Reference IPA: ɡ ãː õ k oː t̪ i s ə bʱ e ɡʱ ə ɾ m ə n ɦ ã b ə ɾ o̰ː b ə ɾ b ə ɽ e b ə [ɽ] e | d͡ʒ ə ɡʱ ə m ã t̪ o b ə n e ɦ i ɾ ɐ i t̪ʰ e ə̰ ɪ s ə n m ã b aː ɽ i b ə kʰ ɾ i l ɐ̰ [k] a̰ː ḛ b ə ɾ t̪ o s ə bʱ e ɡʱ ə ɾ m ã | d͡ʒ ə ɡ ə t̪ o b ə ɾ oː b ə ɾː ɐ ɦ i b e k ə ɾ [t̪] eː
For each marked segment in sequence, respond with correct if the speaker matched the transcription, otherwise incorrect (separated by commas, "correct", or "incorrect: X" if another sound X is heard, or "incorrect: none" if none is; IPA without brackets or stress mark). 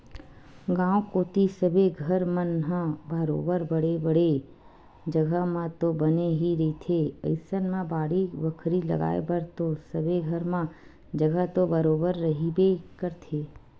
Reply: correct, incorrect: ɡ, incorrect: t̪ʰ